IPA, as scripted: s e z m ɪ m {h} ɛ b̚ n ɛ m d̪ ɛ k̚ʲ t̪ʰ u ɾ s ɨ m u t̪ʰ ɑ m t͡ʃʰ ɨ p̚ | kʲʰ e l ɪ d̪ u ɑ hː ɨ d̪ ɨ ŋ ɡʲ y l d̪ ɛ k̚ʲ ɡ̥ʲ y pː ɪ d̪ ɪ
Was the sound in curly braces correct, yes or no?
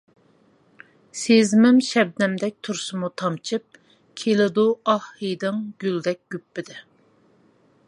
no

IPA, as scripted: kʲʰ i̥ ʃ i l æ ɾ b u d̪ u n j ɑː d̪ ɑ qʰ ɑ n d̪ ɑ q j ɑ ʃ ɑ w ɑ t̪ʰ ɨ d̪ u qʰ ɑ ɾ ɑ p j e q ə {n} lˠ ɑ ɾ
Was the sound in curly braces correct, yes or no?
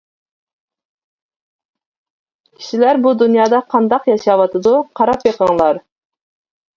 no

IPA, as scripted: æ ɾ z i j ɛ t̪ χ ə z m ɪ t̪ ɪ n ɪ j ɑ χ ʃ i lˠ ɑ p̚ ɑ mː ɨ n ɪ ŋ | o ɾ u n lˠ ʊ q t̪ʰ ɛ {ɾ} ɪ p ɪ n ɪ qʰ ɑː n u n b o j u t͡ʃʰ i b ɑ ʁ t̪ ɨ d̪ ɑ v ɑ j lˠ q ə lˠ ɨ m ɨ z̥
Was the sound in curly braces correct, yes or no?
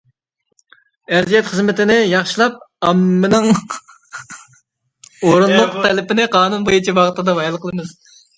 no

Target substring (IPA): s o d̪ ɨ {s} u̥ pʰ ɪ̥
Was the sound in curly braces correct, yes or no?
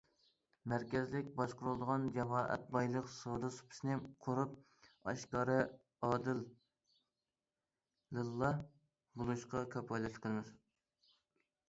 yes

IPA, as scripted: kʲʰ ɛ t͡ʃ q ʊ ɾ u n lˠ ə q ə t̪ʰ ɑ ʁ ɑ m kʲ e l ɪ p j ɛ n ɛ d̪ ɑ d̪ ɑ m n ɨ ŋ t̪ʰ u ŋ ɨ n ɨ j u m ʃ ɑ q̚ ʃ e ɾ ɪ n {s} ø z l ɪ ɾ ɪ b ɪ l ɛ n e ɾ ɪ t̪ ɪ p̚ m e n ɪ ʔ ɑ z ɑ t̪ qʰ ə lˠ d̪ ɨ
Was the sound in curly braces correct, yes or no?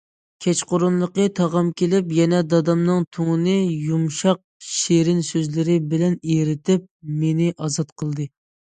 yes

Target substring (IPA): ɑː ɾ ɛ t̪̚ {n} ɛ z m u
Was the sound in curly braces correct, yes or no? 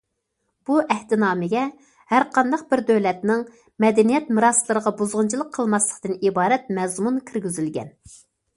no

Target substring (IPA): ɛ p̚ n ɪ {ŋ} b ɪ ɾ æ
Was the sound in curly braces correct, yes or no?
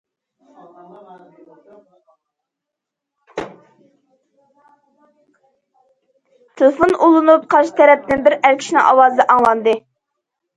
no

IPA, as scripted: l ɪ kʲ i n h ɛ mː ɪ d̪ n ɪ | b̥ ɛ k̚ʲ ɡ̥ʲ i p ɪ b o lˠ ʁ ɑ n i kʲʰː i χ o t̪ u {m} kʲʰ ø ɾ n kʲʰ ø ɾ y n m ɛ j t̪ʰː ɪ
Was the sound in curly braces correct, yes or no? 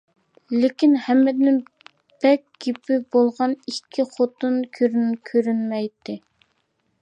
no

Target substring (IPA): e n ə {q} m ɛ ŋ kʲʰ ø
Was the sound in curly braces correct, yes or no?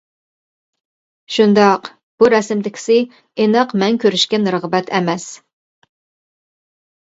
yes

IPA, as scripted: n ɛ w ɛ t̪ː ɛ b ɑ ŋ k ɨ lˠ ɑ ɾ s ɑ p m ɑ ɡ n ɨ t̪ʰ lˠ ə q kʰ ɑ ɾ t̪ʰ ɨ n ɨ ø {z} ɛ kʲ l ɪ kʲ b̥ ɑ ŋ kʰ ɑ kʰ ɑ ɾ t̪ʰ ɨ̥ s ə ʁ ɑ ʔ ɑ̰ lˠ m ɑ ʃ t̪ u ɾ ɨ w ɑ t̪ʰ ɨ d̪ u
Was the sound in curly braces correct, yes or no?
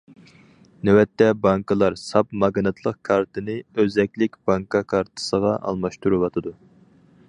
yes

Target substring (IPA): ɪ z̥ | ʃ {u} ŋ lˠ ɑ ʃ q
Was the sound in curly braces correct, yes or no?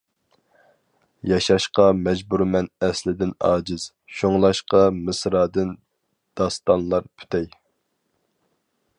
no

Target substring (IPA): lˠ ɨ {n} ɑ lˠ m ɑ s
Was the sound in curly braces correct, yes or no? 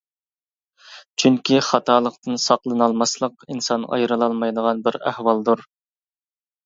yes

